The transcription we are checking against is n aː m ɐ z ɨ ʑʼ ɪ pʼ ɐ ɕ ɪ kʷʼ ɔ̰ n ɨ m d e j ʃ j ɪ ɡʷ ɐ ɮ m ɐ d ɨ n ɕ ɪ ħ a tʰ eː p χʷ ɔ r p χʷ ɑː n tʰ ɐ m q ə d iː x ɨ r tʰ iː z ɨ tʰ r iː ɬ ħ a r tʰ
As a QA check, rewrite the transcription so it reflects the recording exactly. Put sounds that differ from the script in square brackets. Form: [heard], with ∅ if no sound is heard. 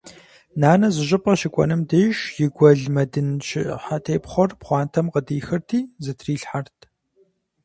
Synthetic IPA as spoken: n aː [n] ɐ z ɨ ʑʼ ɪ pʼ ɐ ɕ ɪ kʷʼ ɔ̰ n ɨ m d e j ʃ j ɪ ɡʷ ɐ ɮ m ɐ d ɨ n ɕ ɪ ħ a tʰ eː p χʷ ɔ r p χʷ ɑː n tʰ ɐ m q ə d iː x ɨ r tʰ iː z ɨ tʰ r iː ɬ ħ a r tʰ